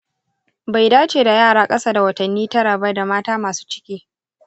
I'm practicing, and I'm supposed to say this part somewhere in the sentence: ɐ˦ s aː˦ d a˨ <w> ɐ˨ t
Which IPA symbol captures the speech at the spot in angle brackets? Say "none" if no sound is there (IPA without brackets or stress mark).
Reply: w